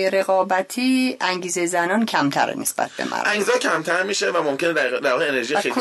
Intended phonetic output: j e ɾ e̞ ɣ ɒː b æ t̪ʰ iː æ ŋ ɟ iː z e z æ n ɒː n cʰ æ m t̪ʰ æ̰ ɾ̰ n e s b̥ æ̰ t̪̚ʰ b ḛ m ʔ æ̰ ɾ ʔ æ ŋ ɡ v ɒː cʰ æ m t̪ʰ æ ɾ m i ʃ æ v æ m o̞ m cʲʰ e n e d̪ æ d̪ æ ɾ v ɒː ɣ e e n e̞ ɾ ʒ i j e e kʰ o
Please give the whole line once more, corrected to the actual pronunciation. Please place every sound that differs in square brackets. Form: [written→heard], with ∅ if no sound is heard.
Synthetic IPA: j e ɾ e̞ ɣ ɒː b æ t̪ʰ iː æ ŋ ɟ iː z e z æ n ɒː n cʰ æ m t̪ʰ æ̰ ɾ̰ n e s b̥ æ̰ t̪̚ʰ b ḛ m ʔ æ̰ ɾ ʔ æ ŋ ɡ [v→z] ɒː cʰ æ m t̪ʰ æ ɾ m i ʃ [æ→e] v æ m o̞ m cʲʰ e n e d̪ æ d̪ æ ɾ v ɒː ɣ e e n e̞ ɾ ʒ i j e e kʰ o